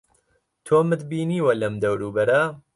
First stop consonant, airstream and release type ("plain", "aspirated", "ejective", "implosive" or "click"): aspirated